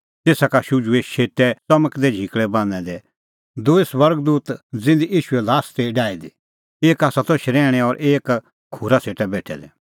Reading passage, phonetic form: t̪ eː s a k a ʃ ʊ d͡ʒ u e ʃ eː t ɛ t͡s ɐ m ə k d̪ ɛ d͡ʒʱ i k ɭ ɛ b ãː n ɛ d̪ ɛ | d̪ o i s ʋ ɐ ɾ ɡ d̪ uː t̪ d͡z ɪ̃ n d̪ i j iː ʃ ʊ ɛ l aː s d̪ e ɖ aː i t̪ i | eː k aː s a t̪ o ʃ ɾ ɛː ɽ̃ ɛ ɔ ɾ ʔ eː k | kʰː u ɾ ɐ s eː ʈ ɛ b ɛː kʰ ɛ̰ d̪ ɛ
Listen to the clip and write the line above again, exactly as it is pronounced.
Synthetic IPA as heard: t̪ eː s a k a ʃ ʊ d͡ʒ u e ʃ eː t ɛ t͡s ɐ m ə k d̪ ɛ d͡ʒʱ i k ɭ ɛ b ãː n ɛ d̪ ɛ | d̪ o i s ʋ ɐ ɾ ɡ d̪ uː t̪ d͡z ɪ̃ n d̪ i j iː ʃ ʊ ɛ l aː s t̪ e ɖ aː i d̪ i | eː k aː s a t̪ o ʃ ɾ ɛː ɽ̃ ɛ ɔ ɾ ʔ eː k | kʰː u ɾ a s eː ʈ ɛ b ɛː ʈʰ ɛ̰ d̪ ɛ